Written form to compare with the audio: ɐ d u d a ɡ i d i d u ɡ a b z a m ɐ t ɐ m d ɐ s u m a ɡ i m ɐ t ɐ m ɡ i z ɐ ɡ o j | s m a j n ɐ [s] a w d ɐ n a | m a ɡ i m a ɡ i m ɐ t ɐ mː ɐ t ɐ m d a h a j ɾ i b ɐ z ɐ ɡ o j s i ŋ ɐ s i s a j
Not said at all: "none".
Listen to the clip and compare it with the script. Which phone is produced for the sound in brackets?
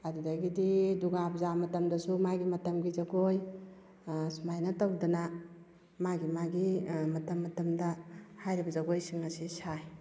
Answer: t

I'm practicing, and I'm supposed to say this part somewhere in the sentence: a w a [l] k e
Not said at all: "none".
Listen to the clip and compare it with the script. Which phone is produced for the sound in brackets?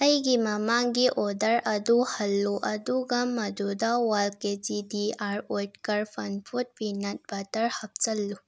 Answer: l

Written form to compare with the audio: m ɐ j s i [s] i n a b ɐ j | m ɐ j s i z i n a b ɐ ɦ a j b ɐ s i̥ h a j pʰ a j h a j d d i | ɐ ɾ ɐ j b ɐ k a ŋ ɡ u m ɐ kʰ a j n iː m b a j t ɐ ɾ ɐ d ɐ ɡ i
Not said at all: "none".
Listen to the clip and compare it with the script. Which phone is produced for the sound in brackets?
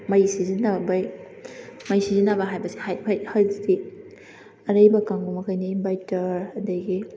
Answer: z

